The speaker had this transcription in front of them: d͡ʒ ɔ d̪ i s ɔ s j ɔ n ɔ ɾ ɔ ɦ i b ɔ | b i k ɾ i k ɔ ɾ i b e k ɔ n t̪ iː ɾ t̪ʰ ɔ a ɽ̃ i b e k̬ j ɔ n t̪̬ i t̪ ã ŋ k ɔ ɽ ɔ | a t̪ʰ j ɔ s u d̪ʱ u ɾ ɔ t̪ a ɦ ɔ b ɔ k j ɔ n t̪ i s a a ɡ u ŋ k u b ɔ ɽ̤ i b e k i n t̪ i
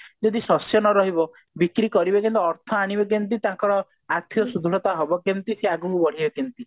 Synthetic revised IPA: d͡ʒ ɔ d̪ i s ɔ s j ɔ n ɔ ɾ ɔ ɦ i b ɔ | b i k ɾ i k ɔ ɾ i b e k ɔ n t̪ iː ɾ t̪ʰ ɔ a ɽ̃ i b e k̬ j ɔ n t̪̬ i t̪ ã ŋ k ɔ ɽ ɔ | a t̪ʰ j ɔ s u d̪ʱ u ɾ ɔ t̪ a ɦ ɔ b ɔ k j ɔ n t̪ i s e a ɡ u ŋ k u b ɔ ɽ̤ i b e k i n t̪ i